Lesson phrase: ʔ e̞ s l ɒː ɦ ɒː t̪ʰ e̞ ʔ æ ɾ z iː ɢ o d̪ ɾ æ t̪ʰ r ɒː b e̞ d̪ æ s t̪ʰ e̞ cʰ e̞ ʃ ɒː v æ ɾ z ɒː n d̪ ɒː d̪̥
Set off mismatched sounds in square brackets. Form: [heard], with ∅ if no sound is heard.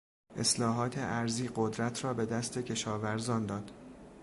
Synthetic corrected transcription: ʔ e̞ s l ɒː ɦ ɒː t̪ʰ e̞ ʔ æ ɾ z iː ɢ o d̪ ɾ æ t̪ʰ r ɒː b e̞ d̪ æ s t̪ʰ e̞ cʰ e̞ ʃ ɒː v æ ɾ z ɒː n d̪ ɒː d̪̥